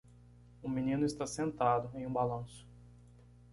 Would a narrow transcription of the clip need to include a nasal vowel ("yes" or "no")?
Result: yes